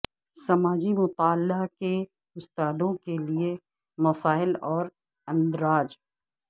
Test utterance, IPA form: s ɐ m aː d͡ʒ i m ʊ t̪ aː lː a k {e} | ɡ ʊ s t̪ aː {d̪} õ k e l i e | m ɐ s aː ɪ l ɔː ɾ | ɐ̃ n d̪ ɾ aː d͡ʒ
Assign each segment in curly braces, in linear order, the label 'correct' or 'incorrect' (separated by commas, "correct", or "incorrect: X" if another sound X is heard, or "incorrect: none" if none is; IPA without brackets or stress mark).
correct, correct